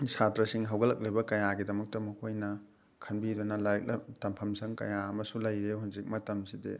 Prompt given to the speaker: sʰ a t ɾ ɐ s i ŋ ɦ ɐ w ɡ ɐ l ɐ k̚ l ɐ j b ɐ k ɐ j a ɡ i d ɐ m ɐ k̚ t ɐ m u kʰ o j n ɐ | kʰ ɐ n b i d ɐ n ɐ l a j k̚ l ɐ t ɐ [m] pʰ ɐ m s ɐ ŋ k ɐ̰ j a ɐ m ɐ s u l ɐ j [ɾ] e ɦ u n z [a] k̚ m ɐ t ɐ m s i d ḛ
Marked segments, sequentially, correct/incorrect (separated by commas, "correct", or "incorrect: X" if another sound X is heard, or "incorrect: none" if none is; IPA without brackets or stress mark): correct, correct, incorrect: i